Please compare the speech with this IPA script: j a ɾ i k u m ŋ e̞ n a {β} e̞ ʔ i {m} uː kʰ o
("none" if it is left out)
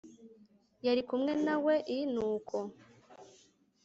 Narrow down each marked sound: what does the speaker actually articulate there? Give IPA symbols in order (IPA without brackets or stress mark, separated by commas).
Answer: w, n